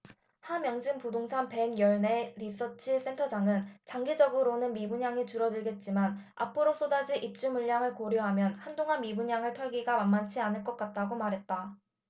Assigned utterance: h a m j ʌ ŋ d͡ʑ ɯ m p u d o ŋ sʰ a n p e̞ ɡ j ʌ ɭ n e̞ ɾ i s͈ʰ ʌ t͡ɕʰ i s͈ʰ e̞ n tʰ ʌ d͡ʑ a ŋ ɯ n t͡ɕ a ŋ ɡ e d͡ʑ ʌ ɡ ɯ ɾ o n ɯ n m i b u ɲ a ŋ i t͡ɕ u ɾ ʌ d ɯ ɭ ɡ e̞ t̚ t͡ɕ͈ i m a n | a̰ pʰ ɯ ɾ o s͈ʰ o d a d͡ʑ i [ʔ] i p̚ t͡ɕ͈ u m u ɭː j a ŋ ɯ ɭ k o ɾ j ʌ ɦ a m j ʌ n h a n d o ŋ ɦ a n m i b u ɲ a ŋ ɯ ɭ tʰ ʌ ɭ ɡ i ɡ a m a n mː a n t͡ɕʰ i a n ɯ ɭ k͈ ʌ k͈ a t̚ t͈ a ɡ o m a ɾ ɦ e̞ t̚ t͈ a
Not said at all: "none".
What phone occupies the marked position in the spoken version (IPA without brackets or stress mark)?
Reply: ʔ